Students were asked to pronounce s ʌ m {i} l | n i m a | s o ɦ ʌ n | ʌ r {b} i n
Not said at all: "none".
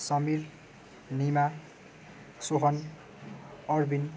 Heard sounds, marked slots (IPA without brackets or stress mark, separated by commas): i, b